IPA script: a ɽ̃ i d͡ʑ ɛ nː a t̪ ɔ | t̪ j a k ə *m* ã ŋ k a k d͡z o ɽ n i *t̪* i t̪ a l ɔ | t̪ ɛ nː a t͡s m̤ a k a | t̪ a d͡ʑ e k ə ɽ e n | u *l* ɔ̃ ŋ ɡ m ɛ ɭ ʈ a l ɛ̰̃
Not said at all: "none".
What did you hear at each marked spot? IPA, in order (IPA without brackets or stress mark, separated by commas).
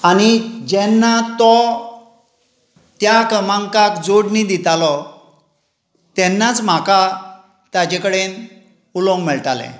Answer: m, d̪, l